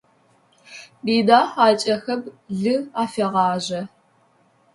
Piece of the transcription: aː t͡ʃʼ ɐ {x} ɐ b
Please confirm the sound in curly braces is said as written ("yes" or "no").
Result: yes